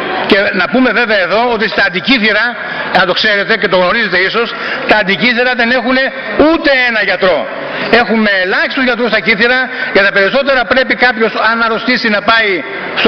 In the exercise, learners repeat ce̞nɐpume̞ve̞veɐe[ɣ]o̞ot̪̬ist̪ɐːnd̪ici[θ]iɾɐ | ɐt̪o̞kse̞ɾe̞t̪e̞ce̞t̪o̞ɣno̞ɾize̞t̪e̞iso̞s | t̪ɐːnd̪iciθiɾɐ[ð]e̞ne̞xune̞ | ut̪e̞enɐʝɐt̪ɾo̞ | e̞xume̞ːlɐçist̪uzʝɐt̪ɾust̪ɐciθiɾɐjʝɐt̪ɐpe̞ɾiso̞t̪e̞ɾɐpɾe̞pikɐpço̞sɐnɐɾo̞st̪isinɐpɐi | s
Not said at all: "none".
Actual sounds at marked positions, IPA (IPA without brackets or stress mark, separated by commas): ð, θ, ð